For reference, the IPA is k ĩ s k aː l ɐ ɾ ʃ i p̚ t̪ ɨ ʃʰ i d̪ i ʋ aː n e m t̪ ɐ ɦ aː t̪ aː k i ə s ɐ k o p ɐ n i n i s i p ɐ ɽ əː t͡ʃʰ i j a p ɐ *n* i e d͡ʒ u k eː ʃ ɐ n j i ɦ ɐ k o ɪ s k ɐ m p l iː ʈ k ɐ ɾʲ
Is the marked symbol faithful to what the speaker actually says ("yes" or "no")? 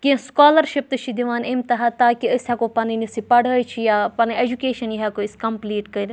yes